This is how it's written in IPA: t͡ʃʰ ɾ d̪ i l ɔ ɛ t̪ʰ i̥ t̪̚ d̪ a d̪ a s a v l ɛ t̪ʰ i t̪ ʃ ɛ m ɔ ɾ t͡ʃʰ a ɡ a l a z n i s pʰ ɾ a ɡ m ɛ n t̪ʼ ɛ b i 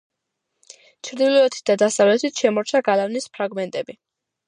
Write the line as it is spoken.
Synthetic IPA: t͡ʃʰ ɾ d̪ i l ɔ ɛ t̪ʰ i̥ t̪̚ d̪ a d̪ a s a v l ɛ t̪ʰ i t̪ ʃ ɛ m ɔ ɾ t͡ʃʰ a ɡ a l a v n i s pʰ ɾ a ɡ m ɛ n t̪ʼ ɛ b i